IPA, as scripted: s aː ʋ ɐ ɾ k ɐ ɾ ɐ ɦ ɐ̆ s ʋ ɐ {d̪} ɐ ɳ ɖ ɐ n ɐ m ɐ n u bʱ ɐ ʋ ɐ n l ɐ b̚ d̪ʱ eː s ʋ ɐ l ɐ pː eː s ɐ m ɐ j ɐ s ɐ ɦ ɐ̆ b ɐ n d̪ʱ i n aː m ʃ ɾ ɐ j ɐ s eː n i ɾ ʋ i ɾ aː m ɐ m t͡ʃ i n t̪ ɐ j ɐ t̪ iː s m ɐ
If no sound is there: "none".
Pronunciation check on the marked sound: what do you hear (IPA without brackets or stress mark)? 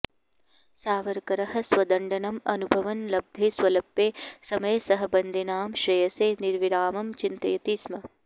d̪